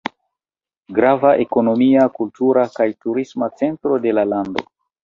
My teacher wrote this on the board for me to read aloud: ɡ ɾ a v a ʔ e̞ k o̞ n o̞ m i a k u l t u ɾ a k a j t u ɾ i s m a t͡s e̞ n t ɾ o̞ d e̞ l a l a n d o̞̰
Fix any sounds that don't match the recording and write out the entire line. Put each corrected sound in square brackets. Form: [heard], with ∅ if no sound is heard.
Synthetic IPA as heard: ɡ ɾ a v a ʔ e̞ k o̞ n o̞ m i a k u l t u ɾ a k a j t u ɾ i s m a t͡s e̞ n t ɾ o̞ d e̞ l a l a n d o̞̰